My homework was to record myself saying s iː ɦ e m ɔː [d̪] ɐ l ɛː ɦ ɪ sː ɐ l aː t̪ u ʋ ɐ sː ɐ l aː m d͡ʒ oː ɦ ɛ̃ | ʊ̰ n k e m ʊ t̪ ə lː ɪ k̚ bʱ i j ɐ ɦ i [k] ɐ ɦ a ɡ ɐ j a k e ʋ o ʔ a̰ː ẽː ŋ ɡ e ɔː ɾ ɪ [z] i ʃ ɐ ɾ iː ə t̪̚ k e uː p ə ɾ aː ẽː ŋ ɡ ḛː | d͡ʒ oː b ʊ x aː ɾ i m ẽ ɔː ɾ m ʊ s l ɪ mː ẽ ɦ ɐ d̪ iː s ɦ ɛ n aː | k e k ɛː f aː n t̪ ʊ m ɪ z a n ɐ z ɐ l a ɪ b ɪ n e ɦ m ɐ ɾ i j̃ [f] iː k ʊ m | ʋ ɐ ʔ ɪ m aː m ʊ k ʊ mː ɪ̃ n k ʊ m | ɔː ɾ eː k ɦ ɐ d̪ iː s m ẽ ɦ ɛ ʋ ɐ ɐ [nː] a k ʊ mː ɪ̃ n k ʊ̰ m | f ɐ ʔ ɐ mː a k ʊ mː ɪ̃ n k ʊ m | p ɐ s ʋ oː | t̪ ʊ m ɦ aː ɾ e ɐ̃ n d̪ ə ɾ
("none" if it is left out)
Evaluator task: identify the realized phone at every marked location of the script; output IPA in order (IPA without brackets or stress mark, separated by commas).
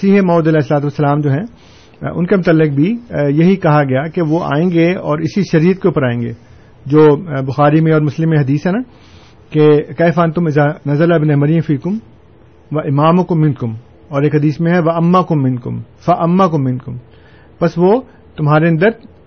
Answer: d̪, k, s, f, mː